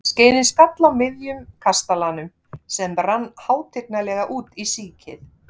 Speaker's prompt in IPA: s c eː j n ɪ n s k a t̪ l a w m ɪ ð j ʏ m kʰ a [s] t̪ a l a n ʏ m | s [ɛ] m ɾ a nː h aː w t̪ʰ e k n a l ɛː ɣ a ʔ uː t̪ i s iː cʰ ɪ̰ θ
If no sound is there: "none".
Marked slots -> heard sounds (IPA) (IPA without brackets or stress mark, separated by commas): s, ɛ